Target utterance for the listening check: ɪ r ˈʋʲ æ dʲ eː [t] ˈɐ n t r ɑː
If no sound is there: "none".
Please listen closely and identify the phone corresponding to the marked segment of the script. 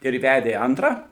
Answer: none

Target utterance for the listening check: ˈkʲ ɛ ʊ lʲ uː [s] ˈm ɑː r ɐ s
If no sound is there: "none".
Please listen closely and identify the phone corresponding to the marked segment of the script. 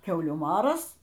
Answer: none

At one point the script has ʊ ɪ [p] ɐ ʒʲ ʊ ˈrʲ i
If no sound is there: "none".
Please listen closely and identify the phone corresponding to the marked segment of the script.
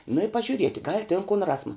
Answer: p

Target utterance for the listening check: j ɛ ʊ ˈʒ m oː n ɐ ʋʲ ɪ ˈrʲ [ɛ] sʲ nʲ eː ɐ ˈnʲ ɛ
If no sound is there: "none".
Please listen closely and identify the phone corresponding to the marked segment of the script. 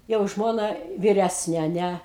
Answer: æ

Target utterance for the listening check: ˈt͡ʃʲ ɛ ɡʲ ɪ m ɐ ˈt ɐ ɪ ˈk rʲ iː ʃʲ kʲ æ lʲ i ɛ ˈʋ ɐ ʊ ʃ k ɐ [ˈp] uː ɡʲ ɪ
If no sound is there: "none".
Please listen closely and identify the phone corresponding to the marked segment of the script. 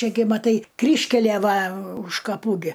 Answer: p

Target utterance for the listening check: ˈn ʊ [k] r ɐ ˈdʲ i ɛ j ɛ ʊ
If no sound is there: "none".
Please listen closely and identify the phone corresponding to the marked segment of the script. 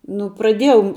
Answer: p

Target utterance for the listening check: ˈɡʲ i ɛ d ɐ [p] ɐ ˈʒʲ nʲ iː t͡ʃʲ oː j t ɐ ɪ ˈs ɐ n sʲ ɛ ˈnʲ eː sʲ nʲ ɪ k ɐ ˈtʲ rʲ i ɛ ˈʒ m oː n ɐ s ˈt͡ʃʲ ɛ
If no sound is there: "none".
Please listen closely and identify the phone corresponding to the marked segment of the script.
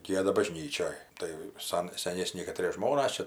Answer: b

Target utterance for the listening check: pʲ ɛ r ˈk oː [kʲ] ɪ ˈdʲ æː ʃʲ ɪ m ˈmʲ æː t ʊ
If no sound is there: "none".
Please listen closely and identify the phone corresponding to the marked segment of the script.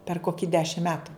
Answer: kʲ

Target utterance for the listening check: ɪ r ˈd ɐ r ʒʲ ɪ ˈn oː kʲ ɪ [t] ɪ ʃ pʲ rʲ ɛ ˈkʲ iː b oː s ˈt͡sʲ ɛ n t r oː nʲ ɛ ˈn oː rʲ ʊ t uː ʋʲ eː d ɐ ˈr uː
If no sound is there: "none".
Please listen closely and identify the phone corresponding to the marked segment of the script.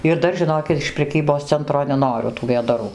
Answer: t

